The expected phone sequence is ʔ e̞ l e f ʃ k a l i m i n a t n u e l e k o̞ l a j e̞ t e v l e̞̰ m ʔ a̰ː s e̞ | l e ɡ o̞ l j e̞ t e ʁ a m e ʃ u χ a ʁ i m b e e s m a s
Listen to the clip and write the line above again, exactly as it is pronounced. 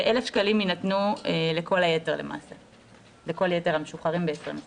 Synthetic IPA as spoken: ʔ e̞ l e f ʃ k a l i m i n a t n u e l e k o̞ l a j e̞ t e ʁ l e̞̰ m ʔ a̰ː s e̞ | l e k o̞ l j e̞ t e ʁ a m e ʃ u χ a ʁ i m b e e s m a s